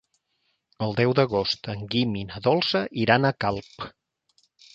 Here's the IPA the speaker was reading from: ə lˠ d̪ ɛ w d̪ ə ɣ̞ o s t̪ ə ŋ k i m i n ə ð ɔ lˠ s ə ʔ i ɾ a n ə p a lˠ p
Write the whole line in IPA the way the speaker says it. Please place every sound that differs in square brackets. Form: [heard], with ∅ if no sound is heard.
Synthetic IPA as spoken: ə lˠ d̪ ɛ w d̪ ə ɣ̞ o s t̪ ə ŋ [ɡ] i m i n ə ð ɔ lˠ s ə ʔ i ɾ a n ə [k] a lˠ p